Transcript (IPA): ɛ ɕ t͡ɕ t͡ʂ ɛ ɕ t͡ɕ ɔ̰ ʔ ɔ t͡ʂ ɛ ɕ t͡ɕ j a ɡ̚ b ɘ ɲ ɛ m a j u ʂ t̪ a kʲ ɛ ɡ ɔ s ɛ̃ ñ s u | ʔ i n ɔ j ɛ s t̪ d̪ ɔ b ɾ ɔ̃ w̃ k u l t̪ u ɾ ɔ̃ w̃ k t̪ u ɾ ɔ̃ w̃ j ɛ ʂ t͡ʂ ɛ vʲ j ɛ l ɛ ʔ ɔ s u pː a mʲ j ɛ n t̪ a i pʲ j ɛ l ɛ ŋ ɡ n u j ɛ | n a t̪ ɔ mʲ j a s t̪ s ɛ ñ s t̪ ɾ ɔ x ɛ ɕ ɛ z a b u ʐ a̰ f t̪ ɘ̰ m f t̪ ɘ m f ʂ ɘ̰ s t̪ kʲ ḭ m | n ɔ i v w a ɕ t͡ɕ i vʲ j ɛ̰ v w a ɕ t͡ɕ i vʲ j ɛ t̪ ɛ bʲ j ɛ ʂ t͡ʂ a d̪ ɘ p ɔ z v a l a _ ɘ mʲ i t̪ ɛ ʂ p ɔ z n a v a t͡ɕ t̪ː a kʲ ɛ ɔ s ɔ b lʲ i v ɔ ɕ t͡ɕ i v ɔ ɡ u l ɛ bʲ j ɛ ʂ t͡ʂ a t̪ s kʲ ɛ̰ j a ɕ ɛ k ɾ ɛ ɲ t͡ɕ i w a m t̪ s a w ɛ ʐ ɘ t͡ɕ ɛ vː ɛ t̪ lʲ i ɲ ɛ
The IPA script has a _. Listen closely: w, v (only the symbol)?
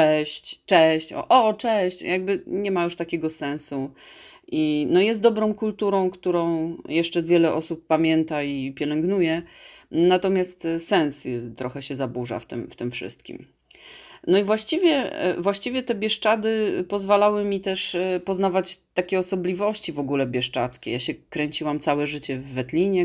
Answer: w